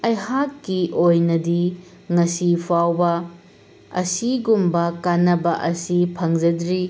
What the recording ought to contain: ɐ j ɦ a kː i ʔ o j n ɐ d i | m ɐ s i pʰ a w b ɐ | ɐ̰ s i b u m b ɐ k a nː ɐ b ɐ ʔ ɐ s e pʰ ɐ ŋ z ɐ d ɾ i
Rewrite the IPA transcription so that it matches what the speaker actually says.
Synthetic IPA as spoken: ɐ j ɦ a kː i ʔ o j n ɐ d i | ŋ ɐ s i pʰ a w b ɐ | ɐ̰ s i ɡ u m b ɐ k a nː ɐ b ɐ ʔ ɐ s i pʰ ɐ ŋ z ɐ d ɾ i